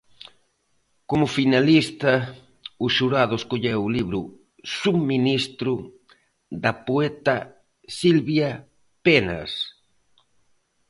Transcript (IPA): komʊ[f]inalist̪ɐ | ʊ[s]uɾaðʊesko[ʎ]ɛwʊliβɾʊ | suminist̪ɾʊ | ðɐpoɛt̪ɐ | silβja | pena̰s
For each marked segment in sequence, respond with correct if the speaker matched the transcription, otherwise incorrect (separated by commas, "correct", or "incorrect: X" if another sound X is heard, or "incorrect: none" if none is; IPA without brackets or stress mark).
correct, incorrect: ʃ, correct